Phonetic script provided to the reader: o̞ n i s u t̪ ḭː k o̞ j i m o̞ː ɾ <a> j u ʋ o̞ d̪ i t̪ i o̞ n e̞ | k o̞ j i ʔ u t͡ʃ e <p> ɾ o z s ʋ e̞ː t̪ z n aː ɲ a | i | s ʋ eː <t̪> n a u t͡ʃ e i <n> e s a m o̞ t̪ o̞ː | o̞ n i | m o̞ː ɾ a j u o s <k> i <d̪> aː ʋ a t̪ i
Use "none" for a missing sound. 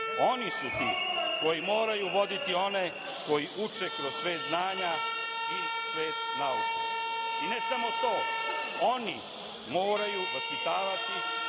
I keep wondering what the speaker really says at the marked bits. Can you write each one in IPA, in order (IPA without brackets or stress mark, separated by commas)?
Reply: a, k, t̪, n, p, t̪